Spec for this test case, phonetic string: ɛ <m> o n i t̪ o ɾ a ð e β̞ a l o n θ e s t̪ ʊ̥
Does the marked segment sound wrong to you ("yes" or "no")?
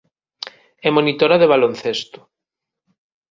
no